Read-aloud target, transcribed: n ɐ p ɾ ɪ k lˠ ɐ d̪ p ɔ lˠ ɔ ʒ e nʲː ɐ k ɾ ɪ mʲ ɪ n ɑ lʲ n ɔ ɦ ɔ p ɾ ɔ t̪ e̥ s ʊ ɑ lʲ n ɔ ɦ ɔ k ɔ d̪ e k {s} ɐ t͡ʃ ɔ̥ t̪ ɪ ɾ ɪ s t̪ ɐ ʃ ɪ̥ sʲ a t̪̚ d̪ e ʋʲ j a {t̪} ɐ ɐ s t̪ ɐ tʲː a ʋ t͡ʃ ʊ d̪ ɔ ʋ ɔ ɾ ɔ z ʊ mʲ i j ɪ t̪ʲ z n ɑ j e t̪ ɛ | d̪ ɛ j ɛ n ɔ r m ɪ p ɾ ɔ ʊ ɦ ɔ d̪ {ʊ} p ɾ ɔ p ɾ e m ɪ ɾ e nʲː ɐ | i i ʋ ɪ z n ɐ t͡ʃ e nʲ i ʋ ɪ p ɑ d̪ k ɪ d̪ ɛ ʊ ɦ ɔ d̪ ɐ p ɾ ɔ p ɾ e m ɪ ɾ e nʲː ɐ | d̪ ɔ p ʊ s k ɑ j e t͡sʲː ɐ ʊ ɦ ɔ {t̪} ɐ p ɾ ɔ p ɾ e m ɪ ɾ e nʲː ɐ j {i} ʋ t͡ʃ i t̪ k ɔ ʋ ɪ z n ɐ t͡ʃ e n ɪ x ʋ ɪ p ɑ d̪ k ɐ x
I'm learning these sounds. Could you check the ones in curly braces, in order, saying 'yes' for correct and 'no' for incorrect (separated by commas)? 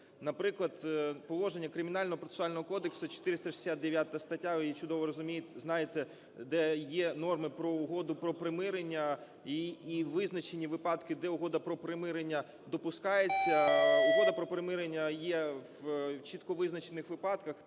yes, yes, yes, no, no